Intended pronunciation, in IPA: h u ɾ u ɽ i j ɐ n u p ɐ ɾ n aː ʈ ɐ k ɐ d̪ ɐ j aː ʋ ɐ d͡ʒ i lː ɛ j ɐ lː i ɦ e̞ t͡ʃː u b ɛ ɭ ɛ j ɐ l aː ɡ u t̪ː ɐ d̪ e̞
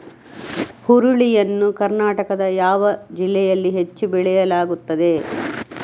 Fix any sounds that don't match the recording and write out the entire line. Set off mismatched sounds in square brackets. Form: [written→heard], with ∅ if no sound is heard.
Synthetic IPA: h u ɾ u [ɽ→ɭ] i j ɐ [n→nː] u [p→k] ɐ ɾ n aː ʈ ɐ k ɐ d̪ ɐ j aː ʋ ɐ d͡ʒ i lː ɛ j ɐ lː i ɦ e̞ t͡ʃː u b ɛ ɭ ɛ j ɐ l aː ɡ u t̪ː ɐ d̪ e̞